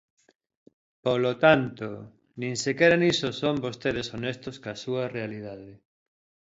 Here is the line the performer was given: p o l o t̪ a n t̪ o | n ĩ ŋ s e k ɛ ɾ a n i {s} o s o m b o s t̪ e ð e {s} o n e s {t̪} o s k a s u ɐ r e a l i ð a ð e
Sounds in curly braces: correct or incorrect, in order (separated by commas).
correct, correct, correct